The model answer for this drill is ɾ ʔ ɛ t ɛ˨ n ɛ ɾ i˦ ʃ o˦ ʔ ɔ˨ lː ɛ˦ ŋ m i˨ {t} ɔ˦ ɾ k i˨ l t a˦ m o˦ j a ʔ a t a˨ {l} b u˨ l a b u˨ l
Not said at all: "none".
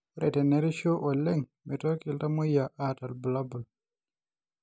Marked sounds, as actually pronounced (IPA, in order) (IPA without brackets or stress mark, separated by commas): t, l